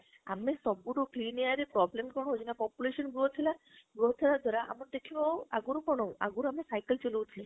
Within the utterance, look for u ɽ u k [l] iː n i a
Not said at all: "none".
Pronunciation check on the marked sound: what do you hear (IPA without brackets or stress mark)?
l